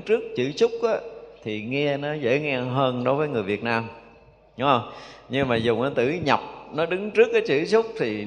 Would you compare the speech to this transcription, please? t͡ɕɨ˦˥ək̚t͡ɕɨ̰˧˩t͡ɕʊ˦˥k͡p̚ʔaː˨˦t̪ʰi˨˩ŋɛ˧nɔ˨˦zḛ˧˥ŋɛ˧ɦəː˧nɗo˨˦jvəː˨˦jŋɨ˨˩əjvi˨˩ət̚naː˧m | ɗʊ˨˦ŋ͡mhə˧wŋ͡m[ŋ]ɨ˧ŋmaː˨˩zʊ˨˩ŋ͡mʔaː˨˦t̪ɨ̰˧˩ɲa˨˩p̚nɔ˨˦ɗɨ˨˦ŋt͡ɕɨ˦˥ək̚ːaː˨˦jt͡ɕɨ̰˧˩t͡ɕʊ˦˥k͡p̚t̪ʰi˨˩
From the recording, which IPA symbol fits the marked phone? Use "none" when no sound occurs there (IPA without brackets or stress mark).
ɲ